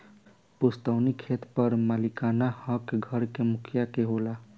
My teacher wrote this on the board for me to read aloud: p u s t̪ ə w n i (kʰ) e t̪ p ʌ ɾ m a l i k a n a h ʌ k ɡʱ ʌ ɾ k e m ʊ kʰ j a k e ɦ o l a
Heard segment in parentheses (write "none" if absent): kʰ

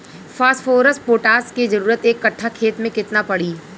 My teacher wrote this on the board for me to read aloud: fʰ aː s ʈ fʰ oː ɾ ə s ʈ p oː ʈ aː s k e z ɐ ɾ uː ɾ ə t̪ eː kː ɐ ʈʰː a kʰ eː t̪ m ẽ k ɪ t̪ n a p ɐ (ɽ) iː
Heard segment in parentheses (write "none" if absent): ɽ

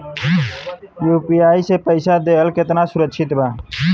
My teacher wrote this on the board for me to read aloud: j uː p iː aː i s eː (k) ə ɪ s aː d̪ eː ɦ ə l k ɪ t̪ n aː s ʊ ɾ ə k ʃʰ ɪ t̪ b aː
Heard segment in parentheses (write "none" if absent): p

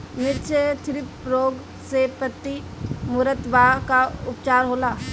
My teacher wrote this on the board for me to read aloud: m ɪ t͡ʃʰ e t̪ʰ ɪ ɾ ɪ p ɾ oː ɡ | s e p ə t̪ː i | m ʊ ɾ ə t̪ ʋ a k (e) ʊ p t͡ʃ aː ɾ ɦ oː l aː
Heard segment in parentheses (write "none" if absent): a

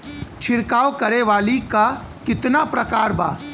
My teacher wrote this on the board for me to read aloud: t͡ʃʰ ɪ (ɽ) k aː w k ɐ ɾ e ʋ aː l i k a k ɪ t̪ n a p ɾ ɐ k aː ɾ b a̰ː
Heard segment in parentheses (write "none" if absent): ɾ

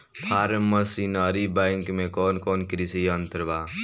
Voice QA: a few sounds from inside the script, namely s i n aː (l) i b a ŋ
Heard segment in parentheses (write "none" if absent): ɾ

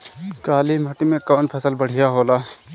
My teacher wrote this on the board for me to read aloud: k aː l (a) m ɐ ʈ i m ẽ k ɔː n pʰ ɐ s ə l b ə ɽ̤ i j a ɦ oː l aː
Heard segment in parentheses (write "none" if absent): i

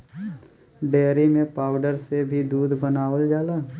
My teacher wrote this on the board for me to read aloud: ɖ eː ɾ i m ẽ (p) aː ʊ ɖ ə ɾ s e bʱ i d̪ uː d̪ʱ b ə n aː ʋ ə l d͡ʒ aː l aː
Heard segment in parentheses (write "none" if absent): p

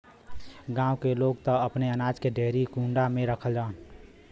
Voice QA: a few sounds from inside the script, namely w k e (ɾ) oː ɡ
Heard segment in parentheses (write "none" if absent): l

